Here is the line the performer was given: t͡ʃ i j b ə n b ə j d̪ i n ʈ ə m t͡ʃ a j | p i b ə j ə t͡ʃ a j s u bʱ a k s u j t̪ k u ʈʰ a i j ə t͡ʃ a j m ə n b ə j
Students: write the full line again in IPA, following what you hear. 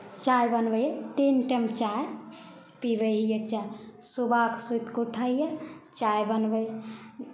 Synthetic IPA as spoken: t͡ʃ a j b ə n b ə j t̪ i n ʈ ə m t͡ʃ a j | p i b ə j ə t͡ʃ a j s u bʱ a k s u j t̪ k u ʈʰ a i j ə t͡ʃ a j b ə n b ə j